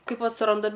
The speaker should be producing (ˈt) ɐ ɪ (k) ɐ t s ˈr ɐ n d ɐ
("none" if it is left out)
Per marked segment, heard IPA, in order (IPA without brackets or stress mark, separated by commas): k, p